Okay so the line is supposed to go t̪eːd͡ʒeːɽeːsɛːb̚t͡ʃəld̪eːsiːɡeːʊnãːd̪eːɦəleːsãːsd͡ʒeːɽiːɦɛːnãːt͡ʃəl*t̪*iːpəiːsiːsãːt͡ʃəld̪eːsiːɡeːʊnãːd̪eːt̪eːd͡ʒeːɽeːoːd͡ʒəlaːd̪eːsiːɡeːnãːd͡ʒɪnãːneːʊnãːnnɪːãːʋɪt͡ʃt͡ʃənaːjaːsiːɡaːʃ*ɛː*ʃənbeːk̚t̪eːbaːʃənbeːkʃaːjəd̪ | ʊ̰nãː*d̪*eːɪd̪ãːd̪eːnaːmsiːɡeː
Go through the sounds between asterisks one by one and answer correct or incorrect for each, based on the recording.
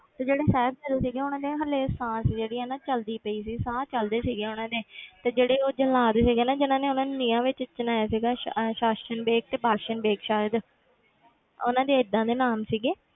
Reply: incorrect, incorrect, correct

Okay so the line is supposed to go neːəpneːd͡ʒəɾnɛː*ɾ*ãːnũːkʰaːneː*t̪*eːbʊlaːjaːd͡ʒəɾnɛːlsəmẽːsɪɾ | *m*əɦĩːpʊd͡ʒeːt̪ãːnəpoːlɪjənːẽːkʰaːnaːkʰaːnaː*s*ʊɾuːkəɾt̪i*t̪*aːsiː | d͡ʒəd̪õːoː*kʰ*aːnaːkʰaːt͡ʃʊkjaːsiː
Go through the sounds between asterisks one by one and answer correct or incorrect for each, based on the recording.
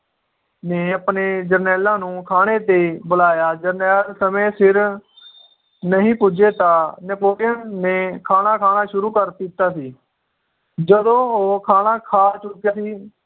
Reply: incorrect, correct, incorrect, incorrect, correct, correct

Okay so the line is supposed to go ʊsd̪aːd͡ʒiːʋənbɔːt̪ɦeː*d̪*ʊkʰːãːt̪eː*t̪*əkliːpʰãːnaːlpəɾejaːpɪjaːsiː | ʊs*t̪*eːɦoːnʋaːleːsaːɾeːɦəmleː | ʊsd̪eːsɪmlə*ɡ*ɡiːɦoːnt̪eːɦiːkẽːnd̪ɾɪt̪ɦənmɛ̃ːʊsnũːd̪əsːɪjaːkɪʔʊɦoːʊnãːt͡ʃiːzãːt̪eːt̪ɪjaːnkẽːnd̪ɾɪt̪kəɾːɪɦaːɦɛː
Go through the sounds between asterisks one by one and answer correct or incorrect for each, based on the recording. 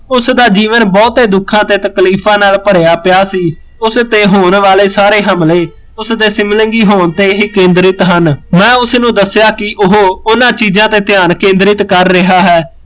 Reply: correct, correct, correct, incorrect

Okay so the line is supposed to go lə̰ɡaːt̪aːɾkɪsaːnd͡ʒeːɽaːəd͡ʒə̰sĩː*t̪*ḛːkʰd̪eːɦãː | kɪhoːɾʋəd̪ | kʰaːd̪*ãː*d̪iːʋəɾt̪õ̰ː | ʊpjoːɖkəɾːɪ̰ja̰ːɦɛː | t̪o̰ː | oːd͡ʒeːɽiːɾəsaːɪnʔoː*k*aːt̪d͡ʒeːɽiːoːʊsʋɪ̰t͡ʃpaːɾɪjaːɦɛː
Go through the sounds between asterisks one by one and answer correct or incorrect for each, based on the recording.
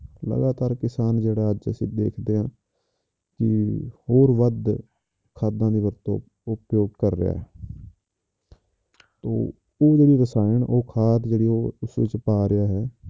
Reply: incorrect, correct, incorrect

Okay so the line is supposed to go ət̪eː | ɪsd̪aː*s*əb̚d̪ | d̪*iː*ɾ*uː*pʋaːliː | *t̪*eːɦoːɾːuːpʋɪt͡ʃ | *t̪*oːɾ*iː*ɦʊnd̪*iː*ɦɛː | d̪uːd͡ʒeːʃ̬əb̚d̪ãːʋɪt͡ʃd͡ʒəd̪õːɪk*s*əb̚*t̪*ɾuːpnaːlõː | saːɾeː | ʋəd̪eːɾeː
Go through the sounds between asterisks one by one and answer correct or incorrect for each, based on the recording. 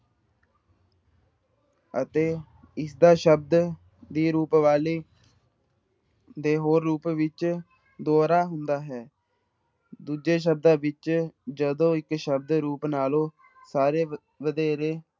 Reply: incorrect, correct, correct, incorrect, incorrect, incorrect, incorrect, incorrect, incorrect

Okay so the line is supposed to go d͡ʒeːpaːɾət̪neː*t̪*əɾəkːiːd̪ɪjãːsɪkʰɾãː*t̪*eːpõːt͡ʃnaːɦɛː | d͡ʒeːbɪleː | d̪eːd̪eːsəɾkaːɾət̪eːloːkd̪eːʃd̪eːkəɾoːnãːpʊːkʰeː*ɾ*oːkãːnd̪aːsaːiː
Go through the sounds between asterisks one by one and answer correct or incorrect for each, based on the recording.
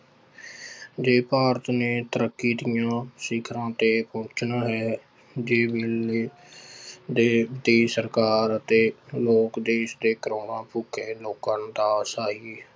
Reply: correct, correct, incorrect

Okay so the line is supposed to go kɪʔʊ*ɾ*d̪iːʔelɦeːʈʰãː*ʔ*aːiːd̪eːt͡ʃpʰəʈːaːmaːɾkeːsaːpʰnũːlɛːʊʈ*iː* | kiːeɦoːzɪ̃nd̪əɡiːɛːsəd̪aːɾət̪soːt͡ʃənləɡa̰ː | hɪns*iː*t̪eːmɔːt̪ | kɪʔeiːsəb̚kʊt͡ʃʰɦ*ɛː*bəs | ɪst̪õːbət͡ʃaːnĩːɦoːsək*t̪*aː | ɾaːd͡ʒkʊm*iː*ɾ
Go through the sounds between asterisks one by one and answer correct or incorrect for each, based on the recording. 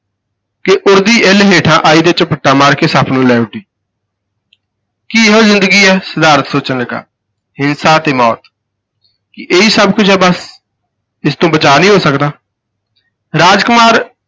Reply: correct, correct, correct, incorrect, correct, incorrect, incorrect

